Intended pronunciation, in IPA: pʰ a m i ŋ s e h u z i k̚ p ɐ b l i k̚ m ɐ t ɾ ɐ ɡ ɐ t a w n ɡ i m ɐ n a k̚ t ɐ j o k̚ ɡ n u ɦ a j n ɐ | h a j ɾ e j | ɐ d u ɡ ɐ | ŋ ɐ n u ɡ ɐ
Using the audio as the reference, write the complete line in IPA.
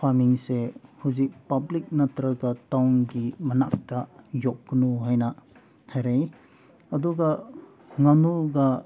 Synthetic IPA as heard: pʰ a m i ŋ s e h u z i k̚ p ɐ b l i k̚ n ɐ t ɾ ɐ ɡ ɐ t a w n ɡ i m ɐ n a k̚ t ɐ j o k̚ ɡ n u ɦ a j n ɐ | h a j ɾ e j | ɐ d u ɡ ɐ | ŋ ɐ n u ɡ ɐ

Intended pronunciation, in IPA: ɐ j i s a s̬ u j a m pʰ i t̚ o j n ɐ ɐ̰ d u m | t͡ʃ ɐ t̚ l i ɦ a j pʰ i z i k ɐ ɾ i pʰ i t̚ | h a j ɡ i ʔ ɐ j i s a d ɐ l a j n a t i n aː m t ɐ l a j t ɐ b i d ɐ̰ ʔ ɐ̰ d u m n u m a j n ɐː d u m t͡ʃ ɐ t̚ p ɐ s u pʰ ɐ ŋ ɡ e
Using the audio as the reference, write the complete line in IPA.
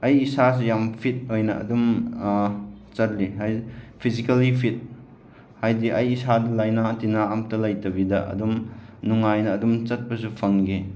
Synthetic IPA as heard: ɐ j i s a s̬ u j a m pʰ i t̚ o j n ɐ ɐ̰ d u m | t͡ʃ ɐ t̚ l i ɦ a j pʰ i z i k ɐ l i pʰ i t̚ | h a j d i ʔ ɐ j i s a d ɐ l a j n a t i n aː m t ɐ l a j t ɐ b i d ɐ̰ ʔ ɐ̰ d u m n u ŋ a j n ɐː d u m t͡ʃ ɐ t̚ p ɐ s u pʰ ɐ ŋ ɡ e

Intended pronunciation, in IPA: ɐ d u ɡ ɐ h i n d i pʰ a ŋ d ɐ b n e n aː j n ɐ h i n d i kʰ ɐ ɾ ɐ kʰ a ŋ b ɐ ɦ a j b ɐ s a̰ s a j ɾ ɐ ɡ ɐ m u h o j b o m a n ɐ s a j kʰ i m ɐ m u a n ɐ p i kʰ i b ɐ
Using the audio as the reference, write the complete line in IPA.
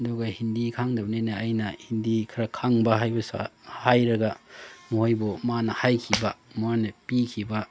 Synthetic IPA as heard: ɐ d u ɡ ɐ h i n d i kʰ a ŋ d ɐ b n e n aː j n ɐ h i n d i kʰ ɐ ɾ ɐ kʰ a ŋ b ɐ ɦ a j b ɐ s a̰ h a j ɾ ɐ ɡ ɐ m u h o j b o m a n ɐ h a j kʰ i b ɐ m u a n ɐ p i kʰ i b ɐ

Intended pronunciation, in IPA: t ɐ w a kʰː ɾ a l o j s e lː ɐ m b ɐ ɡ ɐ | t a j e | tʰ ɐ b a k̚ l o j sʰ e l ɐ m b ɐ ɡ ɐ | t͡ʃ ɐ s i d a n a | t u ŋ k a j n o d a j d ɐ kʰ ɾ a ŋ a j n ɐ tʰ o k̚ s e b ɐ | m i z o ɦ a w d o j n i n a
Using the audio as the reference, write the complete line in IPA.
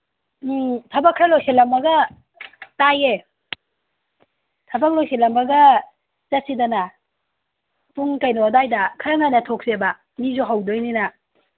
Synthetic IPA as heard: tʰ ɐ b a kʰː ɾ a l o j s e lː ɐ m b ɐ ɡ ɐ | t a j e | tʰ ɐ b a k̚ l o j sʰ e l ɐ m b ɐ ɡ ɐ | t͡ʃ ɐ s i d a n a | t u ŋ k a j n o d a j d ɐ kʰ ɾ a ŋ a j n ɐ tʰ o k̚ s e b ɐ | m i z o ɦ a w d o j n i n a

